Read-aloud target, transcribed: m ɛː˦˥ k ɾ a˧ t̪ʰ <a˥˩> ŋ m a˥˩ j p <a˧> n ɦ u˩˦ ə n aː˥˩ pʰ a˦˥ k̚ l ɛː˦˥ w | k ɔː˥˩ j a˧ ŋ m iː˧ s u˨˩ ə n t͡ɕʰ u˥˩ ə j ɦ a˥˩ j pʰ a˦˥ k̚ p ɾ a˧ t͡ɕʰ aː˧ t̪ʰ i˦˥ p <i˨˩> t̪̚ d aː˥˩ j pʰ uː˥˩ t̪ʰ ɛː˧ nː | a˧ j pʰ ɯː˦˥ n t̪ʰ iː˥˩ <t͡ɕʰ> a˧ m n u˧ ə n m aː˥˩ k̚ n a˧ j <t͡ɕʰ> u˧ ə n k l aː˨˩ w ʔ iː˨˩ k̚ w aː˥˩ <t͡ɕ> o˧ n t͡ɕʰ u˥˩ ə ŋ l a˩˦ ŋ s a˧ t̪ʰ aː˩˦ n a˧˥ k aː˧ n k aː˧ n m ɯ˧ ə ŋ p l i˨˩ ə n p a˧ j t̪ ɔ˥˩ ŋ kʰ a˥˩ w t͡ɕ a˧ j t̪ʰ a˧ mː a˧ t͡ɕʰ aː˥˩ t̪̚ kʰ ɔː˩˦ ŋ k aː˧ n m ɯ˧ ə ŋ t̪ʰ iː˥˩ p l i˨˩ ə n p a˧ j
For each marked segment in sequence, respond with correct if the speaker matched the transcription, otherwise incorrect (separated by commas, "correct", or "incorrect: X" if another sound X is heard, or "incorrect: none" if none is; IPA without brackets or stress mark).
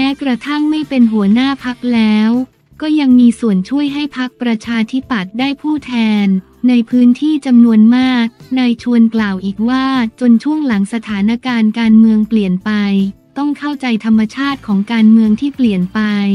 correct, incorrect: e˧, incorrect: a˨˩, incorrect: t͡ɕ, correct, correct